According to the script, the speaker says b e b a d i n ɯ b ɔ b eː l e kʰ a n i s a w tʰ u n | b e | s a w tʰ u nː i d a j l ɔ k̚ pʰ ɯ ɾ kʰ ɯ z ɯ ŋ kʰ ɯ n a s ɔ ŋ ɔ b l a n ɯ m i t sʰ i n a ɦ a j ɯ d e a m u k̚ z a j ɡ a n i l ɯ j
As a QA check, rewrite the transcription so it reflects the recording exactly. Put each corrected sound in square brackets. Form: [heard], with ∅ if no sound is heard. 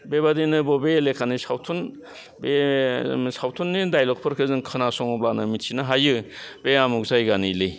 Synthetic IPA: b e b a d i n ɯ b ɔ b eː l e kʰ a n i s a w tʰ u n | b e | s a w tʰ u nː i d a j l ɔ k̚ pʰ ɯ ɾ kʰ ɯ z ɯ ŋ kʰ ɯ n a s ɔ ŋ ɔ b l a n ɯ m i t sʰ i n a ɦ a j ɯ [b] e a m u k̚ z a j ɡ a n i l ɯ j